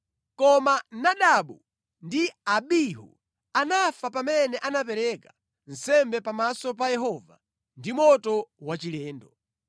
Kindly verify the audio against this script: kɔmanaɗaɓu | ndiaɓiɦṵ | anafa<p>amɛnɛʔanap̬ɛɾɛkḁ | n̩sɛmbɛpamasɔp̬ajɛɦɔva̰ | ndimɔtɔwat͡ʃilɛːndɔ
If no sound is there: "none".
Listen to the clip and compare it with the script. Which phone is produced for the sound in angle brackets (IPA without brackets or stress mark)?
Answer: p